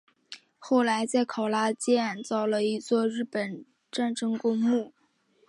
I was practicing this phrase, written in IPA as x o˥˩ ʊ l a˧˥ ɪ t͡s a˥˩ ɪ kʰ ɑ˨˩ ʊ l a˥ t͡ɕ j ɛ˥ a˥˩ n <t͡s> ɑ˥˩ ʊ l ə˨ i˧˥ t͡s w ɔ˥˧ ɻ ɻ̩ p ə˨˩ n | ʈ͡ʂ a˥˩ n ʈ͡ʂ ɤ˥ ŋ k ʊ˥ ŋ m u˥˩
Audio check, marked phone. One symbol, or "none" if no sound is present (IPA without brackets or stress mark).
t͡s